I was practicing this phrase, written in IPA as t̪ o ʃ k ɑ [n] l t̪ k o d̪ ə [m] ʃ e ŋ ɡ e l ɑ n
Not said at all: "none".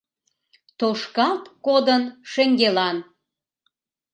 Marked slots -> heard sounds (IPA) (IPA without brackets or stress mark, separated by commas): none, n